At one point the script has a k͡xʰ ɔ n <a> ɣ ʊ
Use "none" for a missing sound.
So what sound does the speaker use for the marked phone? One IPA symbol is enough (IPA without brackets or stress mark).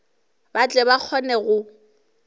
ɛ